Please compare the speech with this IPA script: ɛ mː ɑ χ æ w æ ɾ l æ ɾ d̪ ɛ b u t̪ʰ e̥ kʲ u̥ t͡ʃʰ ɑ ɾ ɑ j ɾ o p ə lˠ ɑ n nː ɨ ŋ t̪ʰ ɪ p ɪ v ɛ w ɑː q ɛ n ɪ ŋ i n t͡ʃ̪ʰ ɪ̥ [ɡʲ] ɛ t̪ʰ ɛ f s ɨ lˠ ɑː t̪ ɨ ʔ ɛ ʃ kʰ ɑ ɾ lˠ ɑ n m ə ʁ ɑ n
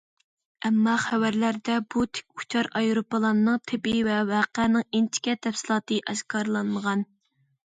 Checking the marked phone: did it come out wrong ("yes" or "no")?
yes